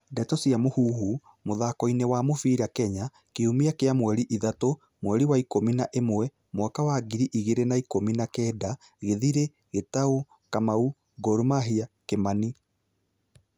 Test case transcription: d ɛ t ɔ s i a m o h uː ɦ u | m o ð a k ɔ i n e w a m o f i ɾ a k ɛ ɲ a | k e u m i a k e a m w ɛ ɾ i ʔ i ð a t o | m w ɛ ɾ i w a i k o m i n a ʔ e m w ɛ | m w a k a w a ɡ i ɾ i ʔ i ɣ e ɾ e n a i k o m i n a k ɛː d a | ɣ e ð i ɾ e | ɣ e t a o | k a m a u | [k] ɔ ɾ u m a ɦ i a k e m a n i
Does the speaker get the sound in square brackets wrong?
yes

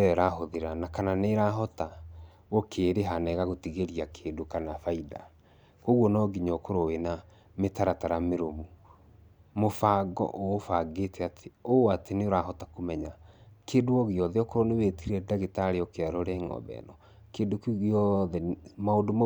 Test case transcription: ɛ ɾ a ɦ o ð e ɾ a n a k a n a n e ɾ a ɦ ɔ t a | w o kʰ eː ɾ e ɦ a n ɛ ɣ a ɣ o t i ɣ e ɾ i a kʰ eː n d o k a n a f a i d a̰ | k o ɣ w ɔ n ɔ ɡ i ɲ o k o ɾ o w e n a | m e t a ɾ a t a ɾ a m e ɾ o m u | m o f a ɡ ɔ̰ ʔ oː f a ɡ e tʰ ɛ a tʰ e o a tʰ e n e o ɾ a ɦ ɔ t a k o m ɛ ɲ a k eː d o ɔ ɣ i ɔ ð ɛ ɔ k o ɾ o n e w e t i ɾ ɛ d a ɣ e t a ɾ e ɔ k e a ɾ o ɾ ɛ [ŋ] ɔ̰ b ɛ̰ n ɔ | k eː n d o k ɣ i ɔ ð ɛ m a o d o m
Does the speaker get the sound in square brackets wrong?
no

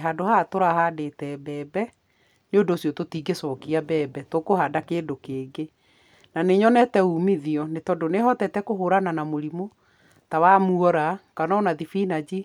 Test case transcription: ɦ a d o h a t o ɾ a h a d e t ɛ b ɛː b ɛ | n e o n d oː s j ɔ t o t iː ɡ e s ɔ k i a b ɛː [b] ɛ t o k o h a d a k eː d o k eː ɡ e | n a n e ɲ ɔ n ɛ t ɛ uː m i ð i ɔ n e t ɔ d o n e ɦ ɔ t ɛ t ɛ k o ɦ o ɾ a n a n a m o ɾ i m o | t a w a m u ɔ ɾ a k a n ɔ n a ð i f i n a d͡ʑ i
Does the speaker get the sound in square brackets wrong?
no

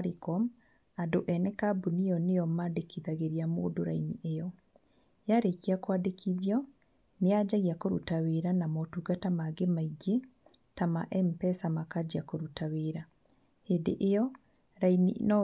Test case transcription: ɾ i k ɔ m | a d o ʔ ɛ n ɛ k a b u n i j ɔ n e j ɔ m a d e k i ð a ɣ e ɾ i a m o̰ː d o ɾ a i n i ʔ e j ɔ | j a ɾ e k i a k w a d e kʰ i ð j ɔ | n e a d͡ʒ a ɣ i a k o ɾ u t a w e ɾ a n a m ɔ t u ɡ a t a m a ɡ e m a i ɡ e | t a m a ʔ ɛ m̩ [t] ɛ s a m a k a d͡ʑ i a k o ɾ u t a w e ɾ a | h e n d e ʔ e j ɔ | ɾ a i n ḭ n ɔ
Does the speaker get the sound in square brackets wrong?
yes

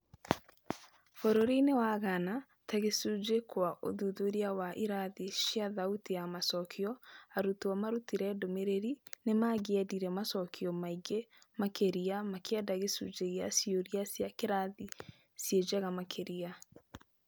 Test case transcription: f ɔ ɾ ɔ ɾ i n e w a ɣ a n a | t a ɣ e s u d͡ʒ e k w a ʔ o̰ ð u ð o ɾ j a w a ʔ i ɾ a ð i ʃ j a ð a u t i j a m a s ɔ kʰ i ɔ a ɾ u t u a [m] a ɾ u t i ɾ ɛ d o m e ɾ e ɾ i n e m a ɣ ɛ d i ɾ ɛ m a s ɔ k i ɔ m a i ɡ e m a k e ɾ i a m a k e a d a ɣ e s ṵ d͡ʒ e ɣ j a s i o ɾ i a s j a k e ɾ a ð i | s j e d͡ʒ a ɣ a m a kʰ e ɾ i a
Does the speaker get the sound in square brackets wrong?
no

